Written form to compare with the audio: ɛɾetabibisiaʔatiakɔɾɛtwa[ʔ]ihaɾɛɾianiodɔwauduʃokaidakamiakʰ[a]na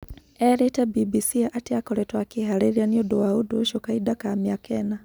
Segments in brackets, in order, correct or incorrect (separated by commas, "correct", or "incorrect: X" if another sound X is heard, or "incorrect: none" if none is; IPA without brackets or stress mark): incorrect: k, incorrect: ɛ